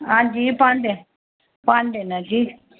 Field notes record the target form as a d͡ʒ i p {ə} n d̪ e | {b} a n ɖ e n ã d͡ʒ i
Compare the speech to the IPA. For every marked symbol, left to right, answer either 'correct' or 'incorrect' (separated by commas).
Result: incorrect, incorrect